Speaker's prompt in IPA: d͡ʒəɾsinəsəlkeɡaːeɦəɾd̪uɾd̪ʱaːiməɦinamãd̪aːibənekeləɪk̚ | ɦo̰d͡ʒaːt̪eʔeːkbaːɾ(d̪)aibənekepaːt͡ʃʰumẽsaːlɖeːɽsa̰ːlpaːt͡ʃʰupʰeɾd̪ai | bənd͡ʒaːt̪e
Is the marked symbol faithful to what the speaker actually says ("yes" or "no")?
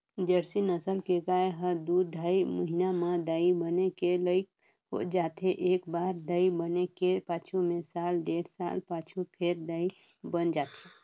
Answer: yes